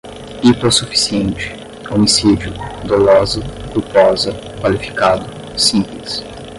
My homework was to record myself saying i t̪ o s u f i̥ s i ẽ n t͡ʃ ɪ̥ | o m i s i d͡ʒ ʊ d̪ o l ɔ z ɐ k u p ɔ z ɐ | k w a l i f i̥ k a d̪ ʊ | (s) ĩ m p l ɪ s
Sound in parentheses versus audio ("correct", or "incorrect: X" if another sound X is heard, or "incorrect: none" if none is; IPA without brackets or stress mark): correct